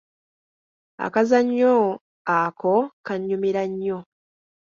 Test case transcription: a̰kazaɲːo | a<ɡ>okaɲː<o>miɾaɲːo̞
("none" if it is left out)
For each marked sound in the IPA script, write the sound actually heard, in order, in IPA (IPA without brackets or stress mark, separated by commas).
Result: k, u